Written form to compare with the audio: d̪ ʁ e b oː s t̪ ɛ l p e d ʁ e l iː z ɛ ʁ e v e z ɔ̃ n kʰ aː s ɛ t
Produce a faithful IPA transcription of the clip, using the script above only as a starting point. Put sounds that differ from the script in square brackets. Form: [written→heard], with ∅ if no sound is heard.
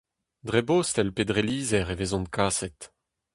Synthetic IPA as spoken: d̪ ʁ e b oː s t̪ ɛ l p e d ʁ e l iː z ɛ ʁ e v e z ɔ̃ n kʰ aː s ɛ t